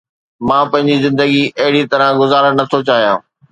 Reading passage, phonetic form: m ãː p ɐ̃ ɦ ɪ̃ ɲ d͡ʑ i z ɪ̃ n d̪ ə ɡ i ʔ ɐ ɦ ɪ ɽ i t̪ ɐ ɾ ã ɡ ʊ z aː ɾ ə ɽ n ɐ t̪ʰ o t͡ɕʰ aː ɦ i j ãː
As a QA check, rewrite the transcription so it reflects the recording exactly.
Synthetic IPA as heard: m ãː p ɐ̃ ɦ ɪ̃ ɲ d͡ʑ i z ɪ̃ n d̪ ə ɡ i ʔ ɐ ɦ ɪ ɽ i t̪ ɐ ɾ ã ɡ ʊ z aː ɾ ə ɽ n ɐ t̪ʰ o t͡ɕ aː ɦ i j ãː